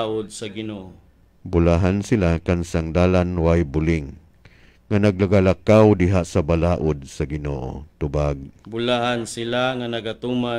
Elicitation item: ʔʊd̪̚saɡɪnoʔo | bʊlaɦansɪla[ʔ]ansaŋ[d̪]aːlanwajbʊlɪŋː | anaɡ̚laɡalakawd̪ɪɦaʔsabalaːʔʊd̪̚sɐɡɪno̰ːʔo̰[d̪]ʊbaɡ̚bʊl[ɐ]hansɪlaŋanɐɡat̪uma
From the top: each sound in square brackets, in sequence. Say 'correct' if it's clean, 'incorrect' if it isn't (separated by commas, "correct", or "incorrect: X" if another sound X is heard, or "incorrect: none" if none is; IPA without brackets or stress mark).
incorrect: k, correct, incorrect: t̪, incorrect: a